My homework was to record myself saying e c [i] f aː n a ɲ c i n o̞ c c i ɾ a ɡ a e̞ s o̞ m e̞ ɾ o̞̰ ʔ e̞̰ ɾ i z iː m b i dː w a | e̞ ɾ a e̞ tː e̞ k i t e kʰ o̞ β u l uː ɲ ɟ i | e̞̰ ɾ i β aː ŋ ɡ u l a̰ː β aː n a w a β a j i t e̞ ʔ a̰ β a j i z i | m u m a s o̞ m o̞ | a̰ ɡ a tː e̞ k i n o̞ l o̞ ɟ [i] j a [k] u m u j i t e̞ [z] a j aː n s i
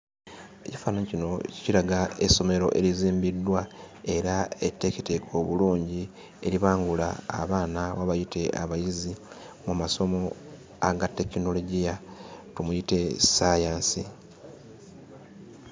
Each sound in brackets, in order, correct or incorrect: correct, correct, incorrect: t, incorrect: s

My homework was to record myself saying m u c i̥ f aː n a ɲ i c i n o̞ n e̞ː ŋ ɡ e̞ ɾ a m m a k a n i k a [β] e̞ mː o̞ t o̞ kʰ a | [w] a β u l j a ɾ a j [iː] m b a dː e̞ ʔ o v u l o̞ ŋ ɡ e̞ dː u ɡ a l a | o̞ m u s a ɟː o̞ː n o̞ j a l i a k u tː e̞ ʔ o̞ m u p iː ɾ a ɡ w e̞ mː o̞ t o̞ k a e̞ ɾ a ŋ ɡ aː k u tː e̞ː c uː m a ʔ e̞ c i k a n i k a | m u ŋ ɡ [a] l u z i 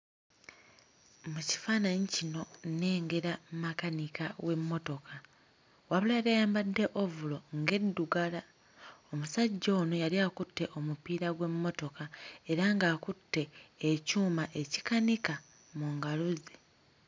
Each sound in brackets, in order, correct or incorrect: incorrect: w, correct, incorrect: aː, correct

